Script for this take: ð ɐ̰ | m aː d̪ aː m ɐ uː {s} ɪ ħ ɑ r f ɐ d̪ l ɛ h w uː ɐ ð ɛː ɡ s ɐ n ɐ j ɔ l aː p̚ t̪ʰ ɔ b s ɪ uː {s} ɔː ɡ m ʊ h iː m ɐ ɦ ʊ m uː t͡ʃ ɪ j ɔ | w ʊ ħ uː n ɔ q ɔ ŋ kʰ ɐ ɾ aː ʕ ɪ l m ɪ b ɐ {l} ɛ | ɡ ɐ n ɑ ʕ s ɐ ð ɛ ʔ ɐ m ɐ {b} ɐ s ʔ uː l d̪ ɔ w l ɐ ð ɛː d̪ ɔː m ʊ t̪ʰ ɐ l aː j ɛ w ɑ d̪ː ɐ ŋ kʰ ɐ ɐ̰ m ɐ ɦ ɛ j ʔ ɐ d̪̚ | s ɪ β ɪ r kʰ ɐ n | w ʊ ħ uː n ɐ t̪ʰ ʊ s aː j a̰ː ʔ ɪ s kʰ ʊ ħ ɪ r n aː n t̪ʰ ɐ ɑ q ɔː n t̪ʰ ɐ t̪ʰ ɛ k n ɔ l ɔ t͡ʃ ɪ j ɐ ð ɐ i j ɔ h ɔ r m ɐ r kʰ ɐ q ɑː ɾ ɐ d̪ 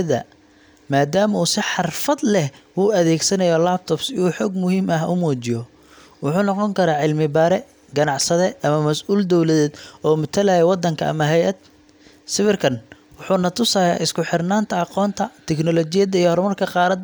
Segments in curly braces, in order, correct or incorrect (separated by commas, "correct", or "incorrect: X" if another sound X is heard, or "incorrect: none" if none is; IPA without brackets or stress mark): correct, incorrect: ħ, incorrect: ɾ, incorrect: m